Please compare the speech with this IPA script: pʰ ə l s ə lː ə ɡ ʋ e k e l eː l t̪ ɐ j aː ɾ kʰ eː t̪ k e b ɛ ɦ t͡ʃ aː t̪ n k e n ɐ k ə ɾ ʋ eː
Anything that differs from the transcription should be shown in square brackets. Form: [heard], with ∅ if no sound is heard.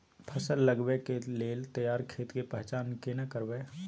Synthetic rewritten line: pʰ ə [∅] s ə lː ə ɡ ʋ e k e l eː l t̪ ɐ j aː ɾ kʰ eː t̪ k e [p] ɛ ɦ t͡ʃ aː [∅] n k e n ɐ k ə ɾ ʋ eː

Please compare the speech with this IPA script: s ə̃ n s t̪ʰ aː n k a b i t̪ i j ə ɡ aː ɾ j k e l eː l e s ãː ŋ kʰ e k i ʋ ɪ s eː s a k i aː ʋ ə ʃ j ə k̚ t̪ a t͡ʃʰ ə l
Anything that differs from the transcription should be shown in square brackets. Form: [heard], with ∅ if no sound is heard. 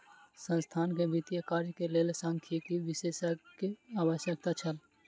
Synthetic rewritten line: s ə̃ n s t̪ʰ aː n k [e] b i t̪ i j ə [k] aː ɾ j k e l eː l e s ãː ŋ kʰ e k i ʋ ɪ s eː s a k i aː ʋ ə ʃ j ə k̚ t̪ a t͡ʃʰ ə l

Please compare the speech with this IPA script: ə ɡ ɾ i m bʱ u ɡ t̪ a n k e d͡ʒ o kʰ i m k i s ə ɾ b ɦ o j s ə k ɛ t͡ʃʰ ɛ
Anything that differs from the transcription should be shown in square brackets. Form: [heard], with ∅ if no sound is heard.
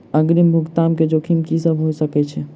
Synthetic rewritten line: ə ɡ ɾ i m bʱ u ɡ t̪ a [m] k e d͡ʒ o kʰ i m k i s ə [∅] b ɦ o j s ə k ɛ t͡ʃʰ ɛ

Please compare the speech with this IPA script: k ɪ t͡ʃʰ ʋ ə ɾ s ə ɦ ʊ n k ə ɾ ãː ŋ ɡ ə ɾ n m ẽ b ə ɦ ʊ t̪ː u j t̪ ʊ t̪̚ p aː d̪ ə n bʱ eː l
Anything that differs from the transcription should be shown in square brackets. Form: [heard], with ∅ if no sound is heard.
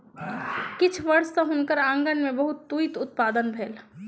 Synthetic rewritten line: k ɪ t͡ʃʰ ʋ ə ɾ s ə ɦ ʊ n k ə ɾ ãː ŋ ɡ ə [∅] n m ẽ b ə ɦ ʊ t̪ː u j t̪ ʊ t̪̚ p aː d̪ ə n bʱ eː l

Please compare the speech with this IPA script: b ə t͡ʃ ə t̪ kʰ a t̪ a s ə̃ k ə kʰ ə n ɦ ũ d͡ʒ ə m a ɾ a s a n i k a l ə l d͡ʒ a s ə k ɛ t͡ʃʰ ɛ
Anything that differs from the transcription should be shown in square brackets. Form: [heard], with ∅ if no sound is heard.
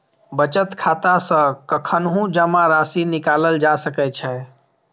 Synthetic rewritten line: b ə t͡ʃ ə t̪ kʰ a t̪ a s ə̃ k ə kʰ ə n ɦ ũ d͡ʒ ə m a ɾ a s [i] n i k a l ə l d͡ʒ a s ə k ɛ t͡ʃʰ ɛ

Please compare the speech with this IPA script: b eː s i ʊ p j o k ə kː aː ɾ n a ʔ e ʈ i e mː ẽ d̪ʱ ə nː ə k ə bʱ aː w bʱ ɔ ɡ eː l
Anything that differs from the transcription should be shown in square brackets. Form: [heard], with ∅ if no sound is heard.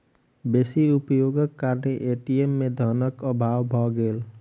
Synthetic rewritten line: b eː s i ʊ p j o [ɡ] ə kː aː ɾ n [e] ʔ e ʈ i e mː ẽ d̪ʱ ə [n] ə k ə bʱ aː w bʱ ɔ ɡ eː l

